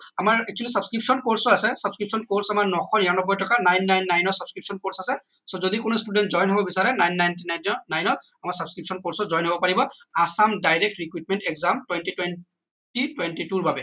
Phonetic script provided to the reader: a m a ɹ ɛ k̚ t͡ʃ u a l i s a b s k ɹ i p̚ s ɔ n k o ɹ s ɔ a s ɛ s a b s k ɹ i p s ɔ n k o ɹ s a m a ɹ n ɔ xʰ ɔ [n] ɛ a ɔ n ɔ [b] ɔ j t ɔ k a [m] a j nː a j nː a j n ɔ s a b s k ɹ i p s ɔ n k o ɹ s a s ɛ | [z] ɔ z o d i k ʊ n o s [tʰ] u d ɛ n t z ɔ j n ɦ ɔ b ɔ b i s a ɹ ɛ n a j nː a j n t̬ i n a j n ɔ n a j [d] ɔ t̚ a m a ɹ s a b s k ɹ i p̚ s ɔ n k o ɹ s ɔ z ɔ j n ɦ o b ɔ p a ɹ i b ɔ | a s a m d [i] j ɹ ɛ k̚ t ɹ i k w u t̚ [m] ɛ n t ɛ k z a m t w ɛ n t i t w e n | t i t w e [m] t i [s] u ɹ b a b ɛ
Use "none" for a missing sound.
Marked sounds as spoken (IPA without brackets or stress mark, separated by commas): n, b, n, s, t, n, a, m, n, t